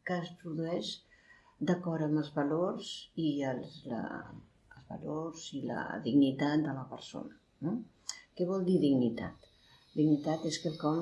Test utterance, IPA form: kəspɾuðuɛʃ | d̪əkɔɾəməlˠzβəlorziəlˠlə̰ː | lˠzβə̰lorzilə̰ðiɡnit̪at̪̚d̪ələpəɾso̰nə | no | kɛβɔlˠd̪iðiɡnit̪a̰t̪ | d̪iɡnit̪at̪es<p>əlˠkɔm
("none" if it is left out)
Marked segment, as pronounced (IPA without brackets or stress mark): k